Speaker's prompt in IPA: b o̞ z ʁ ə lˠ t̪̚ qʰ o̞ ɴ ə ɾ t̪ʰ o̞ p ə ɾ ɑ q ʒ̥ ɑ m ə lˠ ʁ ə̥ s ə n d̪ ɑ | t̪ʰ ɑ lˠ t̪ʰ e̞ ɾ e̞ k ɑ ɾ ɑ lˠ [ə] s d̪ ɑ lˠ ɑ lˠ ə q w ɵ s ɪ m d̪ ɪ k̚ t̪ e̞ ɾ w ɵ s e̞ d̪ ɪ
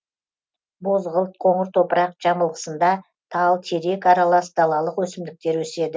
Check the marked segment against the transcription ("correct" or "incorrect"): incorrect